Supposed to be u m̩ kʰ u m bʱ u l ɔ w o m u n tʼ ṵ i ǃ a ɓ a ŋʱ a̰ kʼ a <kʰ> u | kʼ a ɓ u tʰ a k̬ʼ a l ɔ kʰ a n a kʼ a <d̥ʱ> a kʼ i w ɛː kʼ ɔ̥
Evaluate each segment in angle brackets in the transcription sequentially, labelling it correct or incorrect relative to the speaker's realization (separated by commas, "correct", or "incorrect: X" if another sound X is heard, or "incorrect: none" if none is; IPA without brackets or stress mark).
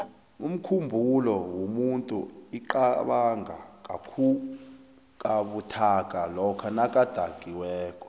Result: correct, correct